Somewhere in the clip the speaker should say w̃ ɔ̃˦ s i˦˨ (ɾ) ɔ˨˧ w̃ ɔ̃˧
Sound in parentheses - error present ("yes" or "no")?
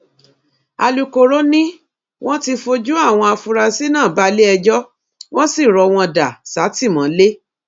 no